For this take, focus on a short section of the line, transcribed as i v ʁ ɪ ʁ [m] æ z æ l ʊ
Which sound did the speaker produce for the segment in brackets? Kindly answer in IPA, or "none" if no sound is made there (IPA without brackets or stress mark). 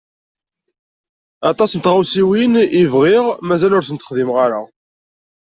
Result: m